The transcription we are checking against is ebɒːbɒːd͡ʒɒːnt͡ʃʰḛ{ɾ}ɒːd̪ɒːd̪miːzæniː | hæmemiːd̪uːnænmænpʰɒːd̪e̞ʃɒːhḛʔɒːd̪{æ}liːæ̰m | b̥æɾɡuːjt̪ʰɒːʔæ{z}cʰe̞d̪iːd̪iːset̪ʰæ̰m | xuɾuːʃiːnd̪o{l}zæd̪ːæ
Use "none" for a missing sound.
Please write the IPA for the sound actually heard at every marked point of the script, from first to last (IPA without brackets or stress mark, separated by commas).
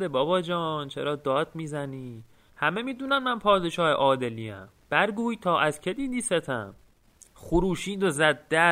ɾ, e, z, none